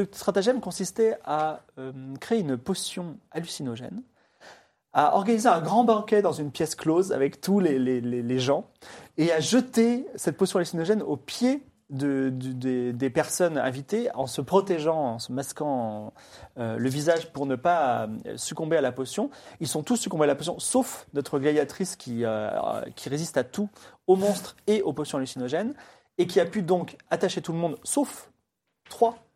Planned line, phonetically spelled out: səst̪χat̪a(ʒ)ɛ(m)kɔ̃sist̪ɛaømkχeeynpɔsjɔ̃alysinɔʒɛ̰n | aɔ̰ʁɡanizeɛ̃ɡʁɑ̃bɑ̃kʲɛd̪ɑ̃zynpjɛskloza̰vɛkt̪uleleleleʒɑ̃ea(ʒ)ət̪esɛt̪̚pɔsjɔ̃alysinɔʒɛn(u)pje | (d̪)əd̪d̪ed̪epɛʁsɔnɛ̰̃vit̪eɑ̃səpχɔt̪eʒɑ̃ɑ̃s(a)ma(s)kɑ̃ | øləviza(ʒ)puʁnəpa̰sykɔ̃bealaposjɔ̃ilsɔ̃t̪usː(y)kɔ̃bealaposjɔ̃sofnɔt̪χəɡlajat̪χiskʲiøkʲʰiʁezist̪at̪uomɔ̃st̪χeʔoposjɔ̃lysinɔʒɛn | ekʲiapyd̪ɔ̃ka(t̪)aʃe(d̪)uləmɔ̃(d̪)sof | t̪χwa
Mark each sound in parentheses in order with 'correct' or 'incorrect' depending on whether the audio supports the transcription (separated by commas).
correct, correct, correct, incorrect, correct, incorrect, correct, correct, correct, correct, incorrect, correct